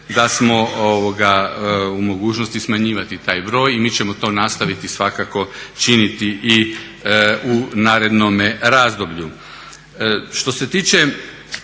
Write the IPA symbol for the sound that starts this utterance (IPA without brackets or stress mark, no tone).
d̪